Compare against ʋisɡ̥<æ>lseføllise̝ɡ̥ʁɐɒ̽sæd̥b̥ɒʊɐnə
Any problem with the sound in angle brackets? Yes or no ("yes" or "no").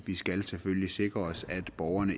no